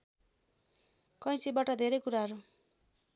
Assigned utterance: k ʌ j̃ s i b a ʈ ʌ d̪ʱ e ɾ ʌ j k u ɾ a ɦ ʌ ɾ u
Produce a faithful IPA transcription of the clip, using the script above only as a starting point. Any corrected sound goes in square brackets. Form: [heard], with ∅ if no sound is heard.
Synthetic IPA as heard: k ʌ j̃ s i b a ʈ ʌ d̪ʱ e ɾ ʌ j k u ɾ a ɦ ʌ ɾ u